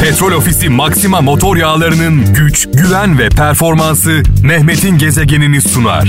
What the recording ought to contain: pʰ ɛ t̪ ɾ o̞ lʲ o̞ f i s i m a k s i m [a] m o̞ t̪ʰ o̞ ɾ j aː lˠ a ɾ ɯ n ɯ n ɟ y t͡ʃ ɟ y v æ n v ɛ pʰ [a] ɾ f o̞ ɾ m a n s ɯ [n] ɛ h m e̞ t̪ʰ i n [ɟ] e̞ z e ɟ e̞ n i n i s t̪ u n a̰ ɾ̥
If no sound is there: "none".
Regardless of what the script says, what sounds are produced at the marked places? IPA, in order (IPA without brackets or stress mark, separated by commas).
a, æ, n, ɟ